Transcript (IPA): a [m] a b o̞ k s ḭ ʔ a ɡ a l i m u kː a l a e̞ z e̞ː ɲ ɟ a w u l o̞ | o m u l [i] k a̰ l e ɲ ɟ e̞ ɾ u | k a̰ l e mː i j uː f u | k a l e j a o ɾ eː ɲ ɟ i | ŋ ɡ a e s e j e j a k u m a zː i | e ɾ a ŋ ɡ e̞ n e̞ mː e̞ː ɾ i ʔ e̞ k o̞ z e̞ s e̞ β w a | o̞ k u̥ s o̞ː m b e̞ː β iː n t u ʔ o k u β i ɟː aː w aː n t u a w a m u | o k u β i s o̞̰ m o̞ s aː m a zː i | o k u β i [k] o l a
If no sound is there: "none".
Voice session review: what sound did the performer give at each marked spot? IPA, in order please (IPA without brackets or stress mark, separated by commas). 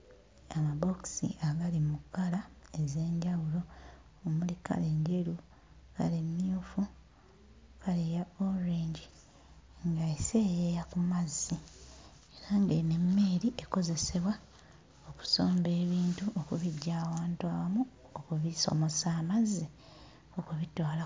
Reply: m, i, t